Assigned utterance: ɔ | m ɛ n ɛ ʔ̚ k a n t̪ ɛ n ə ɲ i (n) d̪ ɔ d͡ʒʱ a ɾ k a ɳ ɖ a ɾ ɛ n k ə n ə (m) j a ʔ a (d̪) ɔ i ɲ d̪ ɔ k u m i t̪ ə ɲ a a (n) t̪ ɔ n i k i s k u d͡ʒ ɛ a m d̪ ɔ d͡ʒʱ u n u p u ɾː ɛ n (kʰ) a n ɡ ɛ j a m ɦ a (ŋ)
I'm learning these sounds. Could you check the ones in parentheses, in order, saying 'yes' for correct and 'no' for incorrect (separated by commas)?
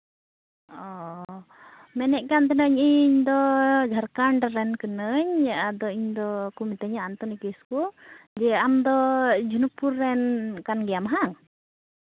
no, no, yes, yes, no, yes